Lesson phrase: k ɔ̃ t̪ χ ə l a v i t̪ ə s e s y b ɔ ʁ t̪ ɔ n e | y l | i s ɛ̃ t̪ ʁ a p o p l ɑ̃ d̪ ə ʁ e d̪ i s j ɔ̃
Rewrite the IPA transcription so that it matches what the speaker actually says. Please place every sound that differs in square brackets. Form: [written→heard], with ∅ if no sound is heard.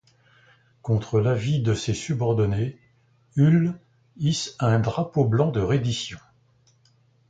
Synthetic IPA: k ɔ̃ t̪ χ ə l a v i [t̪→d̪] ə s e s y b ɔ ʁ [t̪→d̪] ɔ n e | y l | i s ɛ̃ [t̪→d̪] ʁ a p o [p→b] l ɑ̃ d̪ ə ʁ e d̪ i s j ɔ̃